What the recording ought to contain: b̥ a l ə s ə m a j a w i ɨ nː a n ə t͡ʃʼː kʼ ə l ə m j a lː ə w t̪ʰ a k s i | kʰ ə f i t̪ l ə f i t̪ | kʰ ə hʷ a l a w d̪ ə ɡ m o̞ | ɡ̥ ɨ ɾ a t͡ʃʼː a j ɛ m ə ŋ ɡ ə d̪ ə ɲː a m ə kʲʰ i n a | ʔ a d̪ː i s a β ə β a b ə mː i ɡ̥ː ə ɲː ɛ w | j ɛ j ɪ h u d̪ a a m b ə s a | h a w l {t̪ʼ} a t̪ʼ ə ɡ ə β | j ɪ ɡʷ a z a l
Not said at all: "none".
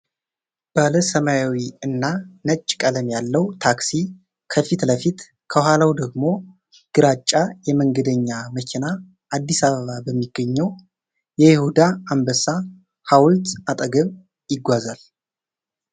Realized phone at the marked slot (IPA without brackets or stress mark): t̪